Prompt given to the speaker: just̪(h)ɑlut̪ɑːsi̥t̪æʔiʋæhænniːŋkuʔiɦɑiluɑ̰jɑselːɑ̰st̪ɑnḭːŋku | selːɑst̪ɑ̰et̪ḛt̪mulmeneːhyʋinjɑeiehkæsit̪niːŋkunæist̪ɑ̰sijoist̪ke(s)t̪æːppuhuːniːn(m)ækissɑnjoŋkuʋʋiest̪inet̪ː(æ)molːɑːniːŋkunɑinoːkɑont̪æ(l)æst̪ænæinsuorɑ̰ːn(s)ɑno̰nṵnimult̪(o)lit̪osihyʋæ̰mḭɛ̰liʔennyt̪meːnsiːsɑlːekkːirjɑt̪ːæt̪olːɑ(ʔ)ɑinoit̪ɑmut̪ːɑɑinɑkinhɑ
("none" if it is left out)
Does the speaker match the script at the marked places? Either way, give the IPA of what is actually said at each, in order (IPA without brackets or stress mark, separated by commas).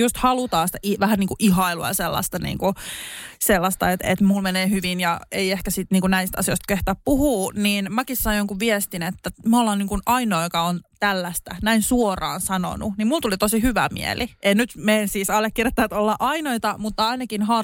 h, h, m, æ, lː, s, u, ʔ